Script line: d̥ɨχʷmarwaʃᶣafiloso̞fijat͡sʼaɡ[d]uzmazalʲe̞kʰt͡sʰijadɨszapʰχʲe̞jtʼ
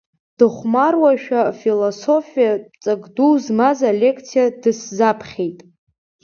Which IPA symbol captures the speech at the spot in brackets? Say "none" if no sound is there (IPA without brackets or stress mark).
d